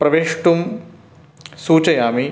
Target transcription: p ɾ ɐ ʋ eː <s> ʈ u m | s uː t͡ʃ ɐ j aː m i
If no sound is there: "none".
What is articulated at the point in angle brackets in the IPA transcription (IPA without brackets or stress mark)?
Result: ʂ